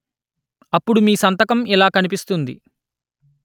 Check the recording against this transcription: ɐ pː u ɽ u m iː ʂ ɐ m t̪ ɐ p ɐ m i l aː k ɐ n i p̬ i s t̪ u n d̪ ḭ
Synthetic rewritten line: ɐ pː u ɽ u m iː s ɐ n t̪ ɐ k ɐ m i l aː k ɐ n i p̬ i s t̪ u n d̪ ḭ